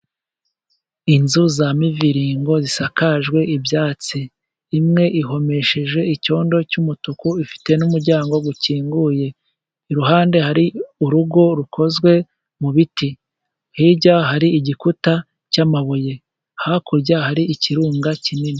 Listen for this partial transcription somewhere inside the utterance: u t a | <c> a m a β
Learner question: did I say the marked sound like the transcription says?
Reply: yes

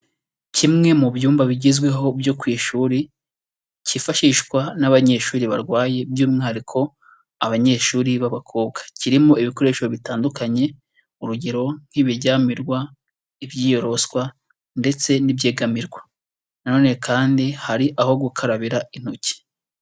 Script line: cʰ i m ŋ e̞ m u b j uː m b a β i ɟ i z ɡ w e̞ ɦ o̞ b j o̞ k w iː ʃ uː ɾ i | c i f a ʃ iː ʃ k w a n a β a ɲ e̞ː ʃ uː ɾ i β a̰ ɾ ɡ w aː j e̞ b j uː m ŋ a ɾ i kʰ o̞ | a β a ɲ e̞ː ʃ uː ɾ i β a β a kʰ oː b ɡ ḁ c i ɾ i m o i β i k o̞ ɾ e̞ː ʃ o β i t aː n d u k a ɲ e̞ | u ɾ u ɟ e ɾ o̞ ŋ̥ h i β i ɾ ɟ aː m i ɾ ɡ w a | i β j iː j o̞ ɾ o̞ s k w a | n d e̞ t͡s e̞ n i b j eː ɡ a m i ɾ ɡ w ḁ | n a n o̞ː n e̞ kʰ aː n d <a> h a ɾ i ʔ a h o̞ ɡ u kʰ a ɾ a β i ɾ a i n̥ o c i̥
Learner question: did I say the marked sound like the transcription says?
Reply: no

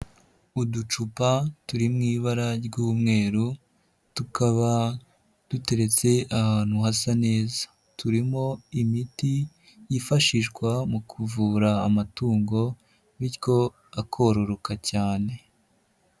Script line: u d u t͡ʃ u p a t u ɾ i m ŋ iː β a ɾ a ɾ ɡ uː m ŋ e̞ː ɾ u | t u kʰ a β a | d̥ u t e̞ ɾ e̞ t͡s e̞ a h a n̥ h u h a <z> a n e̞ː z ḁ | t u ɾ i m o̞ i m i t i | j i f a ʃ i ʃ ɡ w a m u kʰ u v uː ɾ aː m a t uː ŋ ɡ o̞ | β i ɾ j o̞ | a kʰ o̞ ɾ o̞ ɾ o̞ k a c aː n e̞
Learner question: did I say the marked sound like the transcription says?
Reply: no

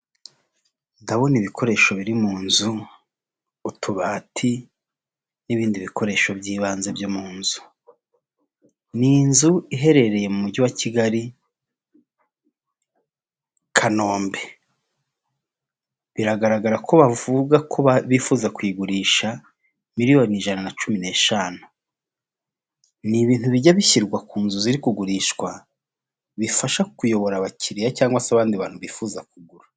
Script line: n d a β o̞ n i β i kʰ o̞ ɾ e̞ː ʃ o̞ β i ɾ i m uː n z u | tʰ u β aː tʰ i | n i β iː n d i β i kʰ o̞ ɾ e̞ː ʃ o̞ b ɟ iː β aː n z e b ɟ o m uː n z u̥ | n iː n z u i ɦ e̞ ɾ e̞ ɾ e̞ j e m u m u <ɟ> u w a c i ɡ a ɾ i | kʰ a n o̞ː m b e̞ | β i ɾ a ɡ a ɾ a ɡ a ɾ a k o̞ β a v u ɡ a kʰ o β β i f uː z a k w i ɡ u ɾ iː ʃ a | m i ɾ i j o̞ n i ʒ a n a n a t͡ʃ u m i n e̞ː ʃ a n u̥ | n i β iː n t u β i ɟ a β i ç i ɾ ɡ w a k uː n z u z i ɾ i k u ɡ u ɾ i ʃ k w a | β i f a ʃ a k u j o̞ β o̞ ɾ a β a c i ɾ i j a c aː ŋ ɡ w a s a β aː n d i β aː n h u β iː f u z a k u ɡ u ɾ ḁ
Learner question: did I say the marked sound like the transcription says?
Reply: yes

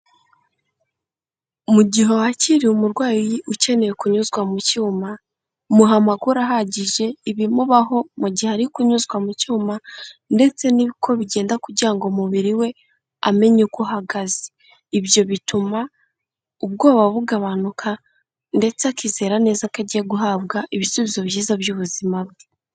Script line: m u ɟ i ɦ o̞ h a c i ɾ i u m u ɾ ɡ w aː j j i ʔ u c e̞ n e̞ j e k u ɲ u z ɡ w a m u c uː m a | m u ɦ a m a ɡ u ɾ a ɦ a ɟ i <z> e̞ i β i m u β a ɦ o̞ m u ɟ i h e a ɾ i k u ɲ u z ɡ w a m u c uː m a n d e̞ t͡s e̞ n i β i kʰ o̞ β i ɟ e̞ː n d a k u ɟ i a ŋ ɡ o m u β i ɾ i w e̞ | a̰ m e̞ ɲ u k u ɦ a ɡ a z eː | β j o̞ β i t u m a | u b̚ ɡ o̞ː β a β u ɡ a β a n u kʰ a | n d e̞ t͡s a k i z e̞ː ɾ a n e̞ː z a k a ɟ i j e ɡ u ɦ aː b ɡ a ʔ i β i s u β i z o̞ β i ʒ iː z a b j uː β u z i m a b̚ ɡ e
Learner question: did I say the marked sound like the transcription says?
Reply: no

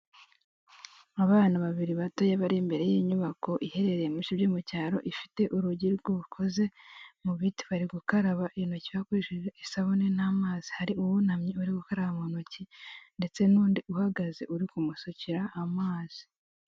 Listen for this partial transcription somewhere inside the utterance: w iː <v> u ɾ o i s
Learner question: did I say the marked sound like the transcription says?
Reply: no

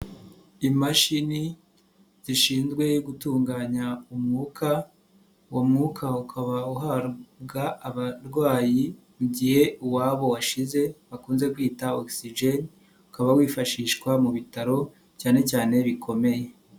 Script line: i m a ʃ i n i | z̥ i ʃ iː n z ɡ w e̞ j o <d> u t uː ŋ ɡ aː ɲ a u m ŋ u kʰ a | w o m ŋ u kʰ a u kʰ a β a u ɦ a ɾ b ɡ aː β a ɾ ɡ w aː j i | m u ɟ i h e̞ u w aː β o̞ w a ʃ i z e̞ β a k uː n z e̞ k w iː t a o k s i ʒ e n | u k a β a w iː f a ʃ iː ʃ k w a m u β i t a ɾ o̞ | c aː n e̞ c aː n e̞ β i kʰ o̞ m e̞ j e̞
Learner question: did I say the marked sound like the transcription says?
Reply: no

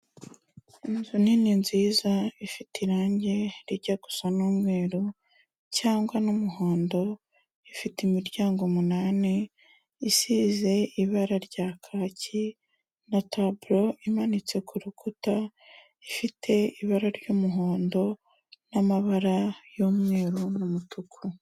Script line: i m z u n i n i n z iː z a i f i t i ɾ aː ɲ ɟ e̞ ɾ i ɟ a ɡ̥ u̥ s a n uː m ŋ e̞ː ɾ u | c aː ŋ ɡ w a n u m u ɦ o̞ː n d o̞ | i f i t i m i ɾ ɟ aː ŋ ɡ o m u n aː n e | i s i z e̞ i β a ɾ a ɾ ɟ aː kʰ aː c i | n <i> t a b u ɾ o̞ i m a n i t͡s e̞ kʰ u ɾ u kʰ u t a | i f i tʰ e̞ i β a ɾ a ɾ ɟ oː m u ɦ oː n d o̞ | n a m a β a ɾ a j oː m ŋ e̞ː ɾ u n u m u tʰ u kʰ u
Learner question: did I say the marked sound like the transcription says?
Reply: no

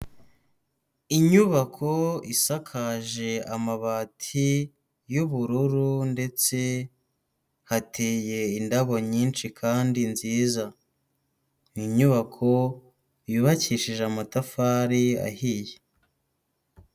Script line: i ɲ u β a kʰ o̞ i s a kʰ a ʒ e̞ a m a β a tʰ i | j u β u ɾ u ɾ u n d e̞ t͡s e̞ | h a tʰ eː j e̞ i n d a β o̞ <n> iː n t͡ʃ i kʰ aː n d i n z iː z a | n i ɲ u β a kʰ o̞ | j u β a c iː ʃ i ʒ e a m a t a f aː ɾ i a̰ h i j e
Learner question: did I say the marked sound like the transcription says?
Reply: no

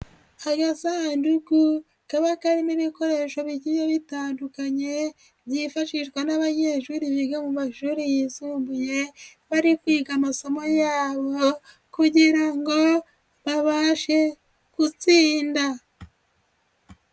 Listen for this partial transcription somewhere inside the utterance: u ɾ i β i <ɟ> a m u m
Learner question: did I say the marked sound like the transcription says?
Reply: no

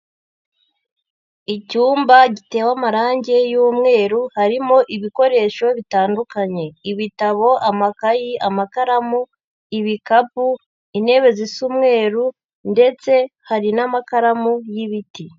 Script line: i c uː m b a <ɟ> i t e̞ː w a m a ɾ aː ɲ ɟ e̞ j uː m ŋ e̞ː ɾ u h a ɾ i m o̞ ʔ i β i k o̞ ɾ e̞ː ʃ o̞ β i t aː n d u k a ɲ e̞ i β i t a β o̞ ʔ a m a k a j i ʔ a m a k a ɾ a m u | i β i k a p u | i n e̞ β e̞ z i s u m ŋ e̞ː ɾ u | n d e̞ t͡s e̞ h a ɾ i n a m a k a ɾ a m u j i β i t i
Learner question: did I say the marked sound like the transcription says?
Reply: yes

